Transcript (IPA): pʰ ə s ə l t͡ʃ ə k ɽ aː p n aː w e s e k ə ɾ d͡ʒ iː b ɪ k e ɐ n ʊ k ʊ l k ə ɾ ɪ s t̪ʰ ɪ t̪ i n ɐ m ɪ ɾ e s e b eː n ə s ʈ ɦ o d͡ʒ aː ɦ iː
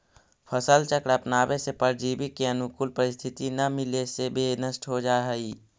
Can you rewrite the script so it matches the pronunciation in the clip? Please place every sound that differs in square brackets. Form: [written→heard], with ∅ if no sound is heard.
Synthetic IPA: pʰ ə s ə l t͡ʃ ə k ɽ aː p n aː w e s e [k→p] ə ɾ d͡ʒ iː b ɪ k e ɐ n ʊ k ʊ l [k→p] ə ɾ ɪ s t̪ʰ ɪ t̪ i n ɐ m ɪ [ɾ→l] e s e b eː n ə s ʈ ɦ o d͡ʒ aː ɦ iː